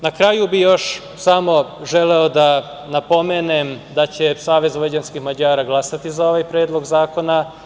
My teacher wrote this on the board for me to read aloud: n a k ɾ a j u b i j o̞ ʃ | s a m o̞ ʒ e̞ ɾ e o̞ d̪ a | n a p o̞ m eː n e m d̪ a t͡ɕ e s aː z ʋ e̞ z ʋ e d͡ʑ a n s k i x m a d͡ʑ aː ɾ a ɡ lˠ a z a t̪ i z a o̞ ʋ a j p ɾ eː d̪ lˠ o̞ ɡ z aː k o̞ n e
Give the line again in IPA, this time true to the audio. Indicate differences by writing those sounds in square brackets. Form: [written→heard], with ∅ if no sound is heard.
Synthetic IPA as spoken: n a k ɾ a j u b i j o̞ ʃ | s a m o̞ ʒ e̞ [ɾ→l] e o̞ d̪ a | n a p o̞ m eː n e m d̪ a t͡ɕ e s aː [z→∅] ʋ e̞ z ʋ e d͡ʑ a n s k i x m a d͡ʑ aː ɾ a ɡ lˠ a [z→s] a t̪ i z a o̞ ʋ a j p ɾ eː d̪ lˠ o̞ ɡ z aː k o̞ n [e→a]

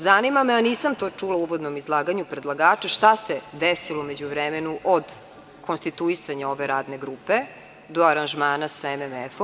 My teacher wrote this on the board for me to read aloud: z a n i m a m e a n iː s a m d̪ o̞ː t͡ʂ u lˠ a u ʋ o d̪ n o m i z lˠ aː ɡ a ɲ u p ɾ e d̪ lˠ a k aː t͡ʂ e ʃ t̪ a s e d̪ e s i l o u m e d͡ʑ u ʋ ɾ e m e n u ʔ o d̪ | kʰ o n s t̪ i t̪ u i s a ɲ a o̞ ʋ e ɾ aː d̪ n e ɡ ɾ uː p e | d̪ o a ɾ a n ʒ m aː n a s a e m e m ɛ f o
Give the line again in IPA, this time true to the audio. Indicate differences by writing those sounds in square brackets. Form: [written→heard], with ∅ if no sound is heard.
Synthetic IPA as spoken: z a n i m a m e a n iː s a m [d̪→t̪] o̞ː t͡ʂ u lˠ a u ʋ o d̪ n o m i z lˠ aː ɡ a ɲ u p ɾ e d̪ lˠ a [k→ɡ] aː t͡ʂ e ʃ t̪ a s e d̪ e s i l o u m e d͡ʑ u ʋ ɾ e m e n u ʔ o d̪ | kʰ o n s t̪ i t̪ u i s a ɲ a o̞ ʋ e ɾ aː d̪ n e ɡ ɾ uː p e | d̪ o a ɾ a n ʒ m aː n a s a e m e m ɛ f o

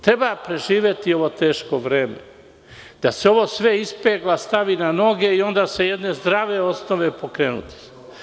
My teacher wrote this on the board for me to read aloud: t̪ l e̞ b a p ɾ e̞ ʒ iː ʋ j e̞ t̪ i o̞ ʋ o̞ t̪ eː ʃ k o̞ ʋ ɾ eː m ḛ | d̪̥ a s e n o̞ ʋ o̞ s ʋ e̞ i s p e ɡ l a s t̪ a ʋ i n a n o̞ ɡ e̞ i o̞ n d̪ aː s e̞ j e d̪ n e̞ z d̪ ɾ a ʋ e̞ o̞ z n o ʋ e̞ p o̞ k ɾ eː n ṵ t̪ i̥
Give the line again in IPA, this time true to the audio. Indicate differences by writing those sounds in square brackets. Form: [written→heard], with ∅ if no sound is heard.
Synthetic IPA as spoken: t̪ [l→ɾ] e̞ b a p ɾ e̞ ʒ iː ʋ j e̞ t̪ i o̞ ʋ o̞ t̪ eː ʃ k o̞ ʋ ɾ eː m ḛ | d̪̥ a s e [n→∅] o̞ ʋ o̞ s ʋ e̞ i s p e ɡ l a s t̪ a ʋ i n a n o̞ ɡ e̞ i o̞ n d̪ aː s e̞ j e d̪ n e̞ z d̪ ɾ a ʋ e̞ o̞ [z→s] n o ʋ e̞ p o̞ k ɾ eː n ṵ t̪ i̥

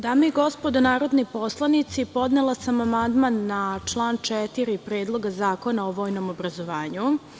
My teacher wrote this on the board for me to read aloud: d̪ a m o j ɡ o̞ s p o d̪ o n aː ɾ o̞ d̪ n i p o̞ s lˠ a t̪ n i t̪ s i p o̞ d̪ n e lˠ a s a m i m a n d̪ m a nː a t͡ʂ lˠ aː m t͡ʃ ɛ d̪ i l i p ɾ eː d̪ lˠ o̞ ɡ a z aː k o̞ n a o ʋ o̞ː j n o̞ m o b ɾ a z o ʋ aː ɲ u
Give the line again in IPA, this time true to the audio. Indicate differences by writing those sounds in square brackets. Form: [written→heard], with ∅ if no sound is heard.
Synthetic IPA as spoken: d̪ a m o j ɡ o̞ s p o d̪ o n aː ɾ o̞ d̪ n i p o̞ s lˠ a [t̪→∅] n i t̪ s i p o̞ d̪ n e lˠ a s a m [i→a] m a n d̪ m a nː a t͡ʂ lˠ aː [m→n] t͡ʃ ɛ [d̪→t̪] i [l→ɾ] i p ɾ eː d̪ lˠ o̞ ɡ a z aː k o̞ n a o ʋ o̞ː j n o̞ m o b ɾ a z o ʋ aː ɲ u

